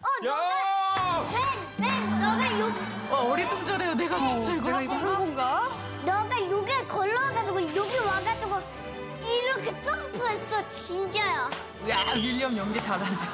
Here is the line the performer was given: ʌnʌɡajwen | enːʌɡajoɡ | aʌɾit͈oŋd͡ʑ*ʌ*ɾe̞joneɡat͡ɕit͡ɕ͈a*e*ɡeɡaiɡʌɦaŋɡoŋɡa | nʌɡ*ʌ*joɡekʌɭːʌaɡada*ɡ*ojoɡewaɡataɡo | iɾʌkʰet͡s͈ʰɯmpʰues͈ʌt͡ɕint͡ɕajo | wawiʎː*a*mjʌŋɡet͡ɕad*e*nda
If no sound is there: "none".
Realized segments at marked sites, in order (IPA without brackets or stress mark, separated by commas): ʌ, i, a, ɡ, ʌ, a